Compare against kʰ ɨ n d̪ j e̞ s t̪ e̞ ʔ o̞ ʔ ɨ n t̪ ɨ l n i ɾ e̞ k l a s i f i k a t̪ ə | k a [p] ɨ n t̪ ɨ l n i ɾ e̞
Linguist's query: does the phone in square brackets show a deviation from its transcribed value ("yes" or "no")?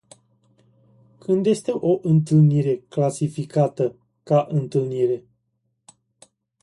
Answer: yes